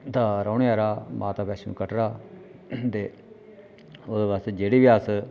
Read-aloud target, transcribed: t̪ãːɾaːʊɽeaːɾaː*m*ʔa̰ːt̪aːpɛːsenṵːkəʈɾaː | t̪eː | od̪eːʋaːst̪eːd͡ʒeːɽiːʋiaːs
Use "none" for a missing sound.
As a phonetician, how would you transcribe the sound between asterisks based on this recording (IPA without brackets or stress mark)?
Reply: m